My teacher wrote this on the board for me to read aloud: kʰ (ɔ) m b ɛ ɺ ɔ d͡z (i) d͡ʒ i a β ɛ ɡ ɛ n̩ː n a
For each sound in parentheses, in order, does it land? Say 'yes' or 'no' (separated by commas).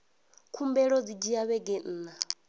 no, yes